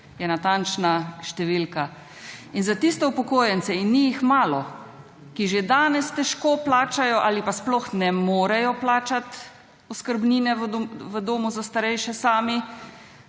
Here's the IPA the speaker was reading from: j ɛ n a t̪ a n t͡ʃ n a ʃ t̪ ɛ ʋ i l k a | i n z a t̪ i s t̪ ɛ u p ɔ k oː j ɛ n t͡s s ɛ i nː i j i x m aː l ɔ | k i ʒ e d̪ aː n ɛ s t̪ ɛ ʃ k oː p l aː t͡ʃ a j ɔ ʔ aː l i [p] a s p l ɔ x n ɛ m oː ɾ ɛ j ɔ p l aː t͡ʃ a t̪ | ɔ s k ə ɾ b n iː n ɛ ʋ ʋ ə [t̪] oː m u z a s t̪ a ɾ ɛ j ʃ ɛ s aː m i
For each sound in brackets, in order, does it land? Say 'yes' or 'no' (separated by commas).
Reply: yes, no